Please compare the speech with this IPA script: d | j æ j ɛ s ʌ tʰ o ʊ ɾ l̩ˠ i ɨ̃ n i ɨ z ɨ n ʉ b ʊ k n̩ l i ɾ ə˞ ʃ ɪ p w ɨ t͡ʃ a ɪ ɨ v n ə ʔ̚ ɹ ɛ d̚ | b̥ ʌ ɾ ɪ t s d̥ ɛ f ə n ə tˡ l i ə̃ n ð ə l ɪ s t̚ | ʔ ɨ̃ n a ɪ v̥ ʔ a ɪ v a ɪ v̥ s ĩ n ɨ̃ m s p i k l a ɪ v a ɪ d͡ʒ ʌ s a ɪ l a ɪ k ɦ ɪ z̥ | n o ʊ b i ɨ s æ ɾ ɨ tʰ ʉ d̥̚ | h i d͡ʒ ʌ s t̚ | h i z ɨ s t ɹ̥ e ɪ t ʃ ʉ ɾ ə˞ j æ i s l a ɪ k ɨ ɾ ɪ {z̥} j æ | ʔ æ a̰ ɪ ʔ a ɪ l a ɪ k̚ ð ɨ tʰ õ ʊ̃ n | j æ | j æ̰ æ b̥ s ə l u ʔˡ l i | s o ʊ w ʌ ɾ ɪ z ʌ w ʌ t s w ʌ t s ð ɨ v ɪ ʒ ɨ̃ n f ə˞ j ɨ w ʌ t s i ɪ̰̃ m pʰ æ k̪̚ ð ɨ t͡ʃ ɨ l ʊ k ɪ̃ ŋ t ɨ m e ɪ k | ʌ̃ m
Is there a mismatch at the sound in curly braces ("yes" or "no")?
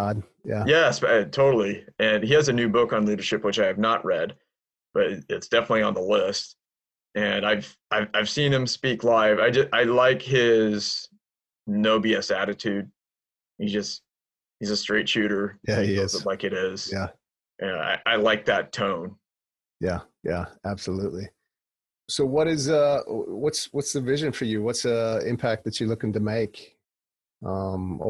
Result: no